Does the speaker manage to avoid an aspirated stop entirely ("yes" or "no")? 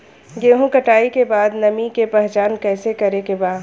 yes